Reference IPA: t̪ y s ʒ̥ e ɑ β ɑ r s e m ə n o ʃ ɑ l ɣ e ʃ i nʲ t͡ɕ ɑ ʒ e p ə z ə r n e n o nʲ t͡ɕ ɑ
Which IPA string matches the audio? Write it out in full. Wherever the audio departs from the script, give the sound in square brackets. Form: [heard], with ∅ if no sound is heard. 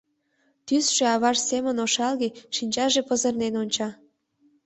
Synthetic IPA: t̪ y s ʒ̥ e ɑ β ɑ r s e m ə n o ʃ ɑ l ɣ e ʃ i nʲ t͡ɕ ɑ ʒ e p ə z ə r n e n o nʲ t͡ɕ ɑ